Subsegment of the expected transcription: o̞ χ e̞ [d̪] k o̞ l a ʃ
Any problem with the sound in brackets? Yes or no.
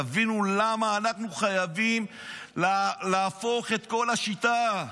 yes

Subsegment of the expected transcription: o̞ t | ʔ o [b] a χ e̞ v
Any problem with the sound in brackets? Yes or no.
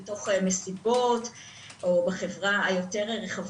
no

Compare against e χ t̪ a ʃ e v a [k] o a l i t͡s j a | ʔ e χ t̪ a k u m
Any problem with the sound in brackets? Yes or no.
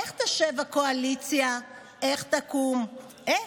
no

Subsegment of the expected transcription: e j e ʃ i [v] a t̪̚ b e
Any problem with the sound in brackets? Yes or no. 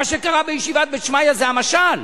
no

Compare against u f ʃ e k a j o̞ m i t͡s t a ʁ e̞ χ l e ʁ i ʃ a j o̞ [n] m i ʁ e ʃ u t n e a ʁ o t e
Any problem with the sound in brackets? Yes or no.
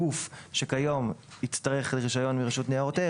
no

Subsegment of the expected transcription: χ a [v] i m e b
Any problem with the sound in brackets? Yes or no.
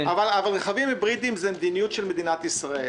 no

